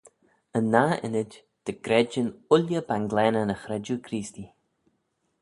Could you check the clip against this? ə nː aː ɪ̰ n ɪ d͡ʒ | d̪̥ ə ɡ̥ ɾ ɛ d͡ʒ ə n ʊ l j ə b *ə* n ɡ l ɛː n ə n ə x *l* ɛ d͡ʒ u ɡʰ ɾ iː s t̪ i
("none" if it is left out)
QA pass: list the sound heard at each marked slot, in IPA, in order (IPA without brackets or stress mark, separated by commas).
a, ɾ